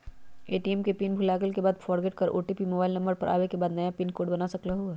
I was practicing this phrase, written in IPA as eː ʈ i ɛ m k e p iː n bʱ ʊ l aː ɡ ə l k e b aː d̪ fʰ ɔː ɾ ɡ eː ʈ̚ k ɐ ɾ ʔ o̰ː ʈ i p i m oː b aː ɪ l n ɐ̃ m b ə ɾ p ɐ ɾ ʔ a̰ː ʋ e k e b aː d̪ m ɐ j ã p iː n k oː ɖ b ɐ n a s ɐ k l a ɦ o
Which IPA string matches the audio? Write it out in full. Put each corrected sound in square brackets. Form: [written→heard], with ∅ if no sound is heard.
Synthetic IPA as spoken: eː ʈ i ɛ m k e p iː n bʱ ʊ l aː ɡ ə l k e b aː d̪ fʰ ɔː ɾ ɡ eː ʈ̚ k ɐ ɾ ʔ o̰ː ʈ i p i m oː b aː ɪ l n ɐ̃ m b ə ɾ p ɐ ɾ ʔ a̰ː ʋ e k e b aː d̪ [m→n] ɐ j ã p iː n k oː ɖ b ɐ n a s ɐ k l a ɦ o